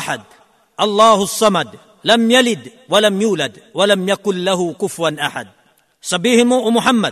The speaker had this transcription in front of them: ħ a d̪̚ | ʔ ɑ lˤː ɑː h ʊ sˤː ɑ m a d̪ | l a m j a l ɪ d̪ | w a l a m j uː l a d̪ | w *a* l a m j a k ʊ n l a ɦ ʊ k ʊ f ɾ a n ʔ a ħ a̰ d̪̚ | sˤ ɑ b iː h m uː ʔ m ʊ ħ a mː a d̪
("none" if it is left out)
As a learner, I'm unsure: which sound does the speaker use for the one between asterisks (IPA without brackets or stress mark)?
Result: a